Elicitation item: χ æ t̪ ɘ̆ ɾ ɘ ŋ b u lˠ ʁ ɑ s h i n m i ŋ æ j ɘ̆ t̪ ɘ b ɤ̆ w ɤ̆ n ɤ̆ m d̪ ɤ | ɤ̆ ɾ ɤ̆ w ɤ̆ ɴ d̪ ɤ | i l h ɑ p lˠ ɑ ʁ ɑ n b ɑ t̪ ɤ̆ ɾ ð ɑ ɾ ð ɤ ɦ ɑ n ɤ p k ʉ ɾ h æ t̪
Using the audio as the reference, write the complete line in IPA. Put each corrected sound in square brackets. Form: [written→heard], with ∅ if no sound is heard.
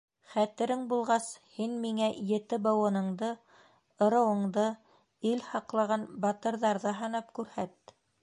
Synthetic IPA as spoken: χ æ t̪ ɘ̆ ɾ ɘ ŋ b u lˠ ʁ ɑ s h i n m i ŋ æ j ɘ̆ t̪ ɘ b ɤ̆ w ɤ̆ n ɤ̆ [m→ɴ] d̪ ɤ | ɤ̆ ɾ ɤ̆ w ɤ̆ ɴ d̪ ɤ | i l h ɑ [p→q] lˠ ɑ ʁ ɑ n b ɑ t̪ ɤ̆ ɾ ð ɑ ɾ ð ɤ ɦ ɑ n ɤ p k ʉ ɾ h æ t̪